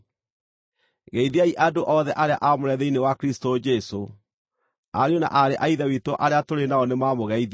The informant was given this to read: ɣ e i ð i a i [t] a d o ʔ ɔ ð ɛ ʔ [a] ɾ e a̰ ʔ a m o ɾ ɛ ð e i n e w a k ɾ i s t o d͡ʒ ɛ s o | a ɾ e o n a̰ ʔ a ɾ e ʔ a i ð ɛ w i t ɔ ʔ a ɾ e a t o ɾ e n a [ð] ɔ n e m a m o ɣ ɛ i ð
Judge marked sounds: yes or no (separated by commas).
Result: no, yes, no